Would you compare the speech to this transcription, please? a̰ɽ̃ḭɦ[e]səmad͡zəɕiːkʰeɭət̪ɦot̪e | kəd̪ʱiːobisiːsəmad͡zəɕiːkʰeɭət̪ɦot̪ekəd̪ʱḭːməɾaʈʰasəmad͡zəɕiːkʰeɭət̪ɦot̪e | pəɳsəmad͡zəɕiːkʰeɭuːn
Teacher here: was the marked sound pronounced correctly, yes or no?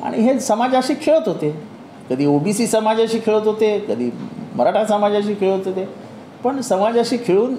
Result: yes